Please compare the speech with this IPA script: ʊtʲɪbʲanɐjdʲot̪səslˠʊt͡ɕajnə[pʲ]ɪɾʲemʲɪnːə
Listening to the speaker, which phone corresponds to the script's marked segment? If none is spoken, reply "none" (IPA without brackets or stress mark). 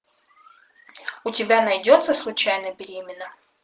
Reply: bʲ